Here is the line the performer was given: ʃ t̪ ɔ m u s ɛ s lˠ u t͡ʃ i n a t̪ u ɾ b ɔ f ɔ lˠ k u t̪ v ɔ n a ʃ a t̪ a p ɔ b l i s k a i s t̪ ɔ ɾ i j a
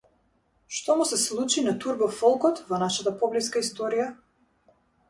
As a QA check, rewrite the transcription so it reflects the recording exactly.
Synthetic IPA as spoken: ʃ t̪ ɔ m u s ɛ s lˠ u t͡ʃ i n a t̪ u ɾ b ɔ f ɔ lˠ k ɔ t̪ v ɔ n a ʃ a t̪ a p ɔ b l i s k a i s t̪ ɔ ɾ i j a